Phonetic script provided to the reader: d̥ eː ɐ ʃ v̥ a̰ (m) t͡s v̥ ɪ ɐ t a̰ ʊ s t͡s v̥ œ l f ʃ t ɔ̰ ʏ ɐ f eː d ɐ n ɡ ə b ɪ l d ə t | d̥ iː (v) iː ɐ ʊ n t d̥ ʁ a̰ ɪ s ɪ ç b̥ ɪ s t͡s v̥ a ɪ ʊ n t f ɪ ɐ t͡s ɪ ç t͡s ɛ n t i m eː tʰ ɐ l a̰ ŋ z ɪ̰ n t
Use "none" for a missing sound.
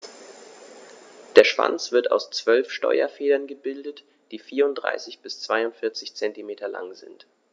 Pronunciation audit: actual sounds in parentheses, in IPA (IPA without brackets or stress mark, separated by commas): n, f